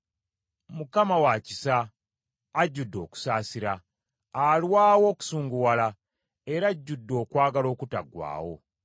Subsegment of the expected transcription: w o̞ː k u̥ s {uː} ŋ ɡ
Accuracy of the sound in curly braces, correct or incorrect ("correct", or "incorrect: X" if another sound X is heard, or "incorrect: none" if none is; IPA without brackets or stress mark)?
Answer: correct